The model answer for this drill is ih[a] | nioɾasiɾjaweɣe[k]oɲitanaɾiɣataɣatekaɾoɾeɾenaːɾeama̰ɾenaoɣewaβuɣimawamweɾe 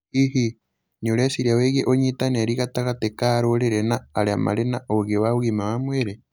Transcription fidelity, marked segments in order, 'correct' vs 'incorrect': incorrect: i, incorrect: ʔ

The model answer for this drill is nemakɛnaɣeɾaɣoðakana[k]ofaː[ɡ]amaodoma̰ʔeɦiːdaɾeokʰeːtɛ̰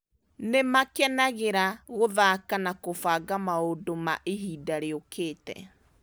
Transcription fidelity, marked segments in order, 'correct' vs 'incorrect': correct, correct

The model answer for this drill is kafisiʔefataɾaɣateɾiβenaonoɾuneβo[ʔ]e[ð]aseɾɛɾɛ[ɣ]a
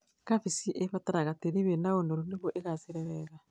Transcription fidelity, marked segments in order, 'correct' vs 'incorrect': correct, incorrect: ɣ, correct

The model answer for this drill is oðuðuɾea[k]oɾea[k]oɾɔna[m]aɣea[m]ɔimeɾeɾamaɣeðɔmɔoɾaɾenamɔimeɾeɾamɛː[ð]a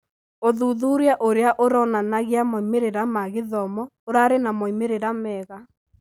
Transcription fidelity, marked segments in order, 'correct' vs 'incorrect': incorrect: ʔ, incorrect: ʔ, incorrect: n, correct, incorrect: ɣ

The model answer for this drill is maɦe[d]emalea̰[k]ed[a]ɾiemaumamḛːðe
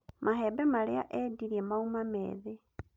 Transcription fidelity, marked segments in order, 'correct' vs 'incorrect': incorrect: b, incorrect: ʔ, incorrect: i

